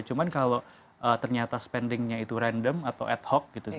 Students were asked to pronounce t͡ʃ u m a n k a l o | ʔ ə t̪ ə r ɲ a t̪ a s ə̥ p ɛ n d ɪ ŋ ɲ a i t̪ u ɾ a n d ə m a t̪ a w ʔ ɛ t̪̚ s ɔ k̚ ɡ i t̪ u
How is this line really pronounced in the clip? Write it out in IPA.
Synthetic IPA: t͡ʃ u m a n k a l o | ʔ ə t̪ ə r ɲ a t̪ a s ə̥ p ɛ n d ɪ ŋ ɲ a i t̪ u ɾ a n d ə m a t̪ a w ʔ ɛ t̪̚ h ɔ k̚ ɡ i t̪ u